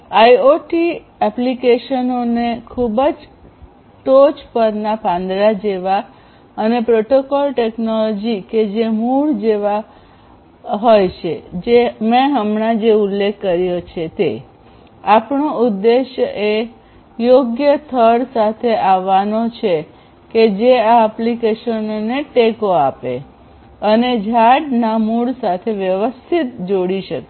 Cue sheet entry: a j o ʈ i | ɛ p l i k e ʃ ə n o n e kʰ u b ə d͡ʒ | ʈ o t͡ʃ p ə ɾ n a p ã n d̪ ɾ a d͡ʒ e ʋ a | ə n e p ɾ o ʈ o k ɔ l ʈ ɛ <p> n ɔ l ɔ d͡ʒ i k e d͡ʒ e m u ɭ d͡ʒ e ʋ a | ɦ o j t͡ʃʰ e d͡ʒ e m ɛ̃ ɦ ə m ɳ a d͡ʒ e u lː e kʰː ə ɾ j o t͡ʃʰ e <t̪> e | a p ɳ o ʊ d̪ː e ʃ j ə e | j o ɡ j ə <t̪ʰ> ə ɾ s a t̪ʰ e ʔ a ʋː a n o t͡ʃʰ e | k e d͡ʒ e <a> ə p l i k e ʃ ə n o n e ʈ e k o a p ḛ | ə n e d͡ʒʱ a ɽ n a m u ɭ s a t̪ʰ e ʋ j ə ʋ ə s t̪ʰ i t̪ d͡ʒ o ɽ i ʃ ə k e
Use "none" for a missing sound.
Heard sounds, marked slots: k, t̪, t̪ʰ, a

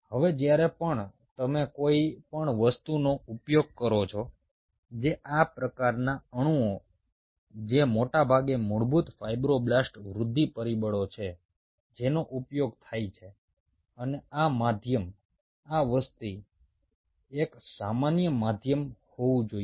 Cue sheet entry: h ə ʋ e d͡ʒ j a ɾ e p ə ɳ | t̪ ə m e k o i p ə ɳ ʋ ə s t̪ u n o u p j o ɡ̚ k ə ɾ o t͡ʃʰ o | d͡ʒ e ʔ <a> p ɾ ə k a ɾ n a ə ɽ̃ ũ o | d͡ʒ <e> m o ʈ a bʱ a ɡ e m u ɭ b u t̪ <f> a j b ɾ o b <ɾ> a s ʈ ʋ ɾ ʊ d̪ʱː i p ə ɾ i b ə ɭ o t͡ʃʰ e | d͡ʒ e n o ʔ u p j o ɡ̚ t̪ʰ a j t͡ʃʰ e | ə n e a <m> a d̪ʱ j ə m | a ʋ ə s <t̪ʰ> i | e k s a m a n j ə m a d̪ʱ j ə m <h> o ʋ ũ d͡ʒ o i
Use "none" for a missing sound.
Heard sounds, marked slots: a, e, f, l, m, t̪, h

